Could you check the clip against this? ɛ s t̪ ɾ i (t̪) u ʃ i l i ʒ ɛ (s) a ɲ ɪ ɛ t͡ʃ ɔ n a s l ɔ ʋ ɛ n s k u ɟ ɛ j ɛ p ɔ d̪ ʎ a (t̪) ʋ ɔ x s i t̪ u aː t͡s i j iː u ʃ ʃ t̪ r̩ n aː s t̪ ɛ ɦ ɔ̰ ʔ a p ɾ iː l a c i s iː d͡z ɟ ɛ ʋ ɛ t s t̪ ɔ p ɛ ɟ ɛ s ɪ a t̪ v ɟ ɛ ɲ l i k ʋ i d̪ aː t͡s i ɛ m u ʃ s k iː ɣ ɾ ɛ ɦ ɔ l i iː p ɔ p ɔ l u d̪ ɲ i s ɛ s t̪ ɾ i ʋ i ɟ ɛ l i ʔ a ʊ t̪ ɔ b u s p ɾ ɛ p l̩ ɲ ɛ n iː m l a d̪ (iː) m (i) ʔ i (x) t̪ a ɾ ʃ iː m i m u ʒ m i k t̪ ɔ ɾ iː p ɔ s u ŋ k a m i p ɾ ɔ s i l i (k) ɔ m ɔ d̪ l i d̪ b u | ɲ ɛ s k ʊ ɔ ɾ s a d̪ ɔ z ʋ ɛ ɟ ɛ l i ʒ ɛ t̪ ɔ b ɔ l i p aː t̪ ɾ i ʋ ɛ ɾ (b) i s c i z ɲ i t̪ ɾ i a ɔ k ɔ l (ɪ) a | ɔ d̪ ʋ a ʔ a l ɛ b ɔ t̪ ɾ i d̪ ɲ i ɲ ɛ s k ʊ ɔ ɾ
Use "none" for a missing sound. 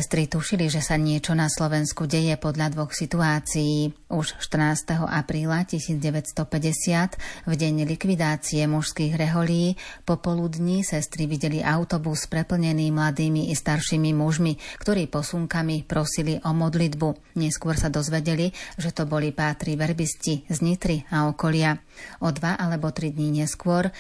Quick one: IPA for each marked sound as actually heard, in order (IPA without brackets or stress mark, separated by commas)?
t̪, s, d̪, iː, i, s, ʔ, b, ɪ